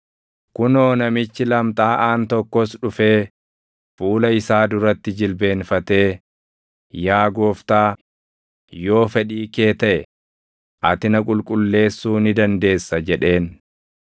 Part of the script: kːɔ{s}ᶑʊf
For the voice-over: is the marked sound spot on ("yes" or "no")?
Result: yes